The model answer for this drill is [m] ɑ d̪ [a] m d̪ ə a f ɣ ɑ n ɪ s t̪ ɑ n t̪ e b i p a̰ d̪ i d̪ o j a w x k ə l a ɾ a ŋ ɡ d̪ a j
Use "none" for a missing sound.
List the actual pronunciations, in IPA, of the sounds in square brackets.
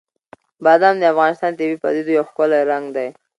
b, a

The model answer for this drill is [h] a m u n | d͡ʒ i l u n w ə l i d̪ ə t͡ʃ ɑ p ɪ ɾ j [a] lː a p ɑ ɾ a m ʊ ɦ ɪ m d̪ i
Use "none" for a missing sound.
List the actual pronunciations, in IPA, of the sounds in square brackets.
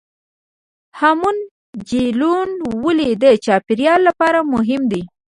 h, ɑ

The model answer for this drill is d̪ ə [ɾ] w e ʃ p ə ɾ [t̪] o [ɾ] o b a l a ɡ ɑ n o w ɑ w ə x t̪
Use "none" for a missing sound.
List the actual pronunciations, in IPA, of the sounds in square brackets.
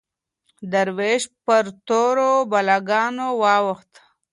ɾ, t̪, ɾ

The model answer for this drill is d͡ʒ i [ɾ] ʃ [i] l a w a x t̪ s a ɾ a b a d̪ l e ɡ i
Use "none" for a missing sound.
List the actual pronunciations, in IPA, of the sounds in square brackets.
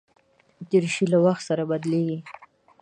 ɾ, i

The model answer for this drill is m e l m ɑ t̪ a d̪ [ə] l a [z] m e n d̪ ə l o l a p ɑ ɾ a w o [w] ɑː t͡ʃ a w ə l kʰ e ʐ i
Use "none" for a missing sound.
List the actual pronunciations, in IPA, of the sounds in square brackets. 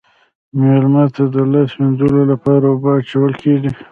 ə, s, b

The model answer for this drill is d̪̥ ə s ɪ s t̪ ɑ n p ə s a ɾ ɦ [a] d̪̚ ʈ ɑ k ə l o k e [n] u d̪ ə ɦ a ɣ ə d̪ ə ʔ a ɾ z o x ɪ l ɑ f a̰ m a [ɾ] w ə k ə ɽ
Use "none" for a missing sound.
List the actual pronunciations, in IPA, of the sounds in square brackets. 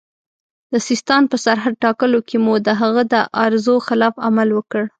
a, m, l

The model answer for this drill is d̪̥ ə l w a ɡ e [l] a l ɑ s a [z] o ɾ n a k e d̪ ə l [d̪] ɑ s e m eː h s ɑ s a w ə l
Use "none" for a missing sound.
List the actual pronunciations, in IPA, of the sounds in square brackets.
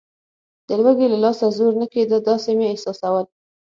l, z, d̪

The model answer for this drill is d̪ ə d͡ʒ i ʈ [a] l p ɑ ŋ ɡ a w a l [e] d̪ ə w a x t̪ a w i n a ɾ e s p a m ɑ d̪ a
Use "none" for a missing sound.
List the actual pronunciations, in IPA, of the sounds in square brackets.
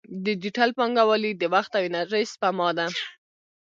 a, i

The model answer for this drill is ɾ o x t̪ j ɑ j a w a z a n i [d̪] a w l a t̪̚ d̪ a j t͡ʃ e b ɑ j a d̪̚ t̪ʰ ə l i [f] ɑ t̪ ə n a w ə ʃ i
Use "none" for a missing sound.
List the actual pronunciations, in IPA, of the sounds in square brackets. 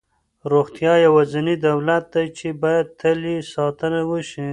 d̪, s

